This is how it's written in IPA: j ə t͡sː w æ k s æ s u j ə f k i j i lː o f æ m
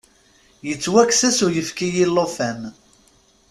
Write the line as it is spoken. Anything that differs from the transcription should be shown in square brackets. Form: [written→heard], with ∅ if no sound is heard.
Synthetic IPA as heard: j ə t͡sː w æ k s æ s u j ə f k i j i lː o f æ m